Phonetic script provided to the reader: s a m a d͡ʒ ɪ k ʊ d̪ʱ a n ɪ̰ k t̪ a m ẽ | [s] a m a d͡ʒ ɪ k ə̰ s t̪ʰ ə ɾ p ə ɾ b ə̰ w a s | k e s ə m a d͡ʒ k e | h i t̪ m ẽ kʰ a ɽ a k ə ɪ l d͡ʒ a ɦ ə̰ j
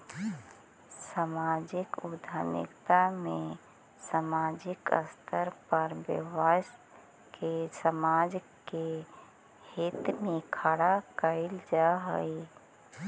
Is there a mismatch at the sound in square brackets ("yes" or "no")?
no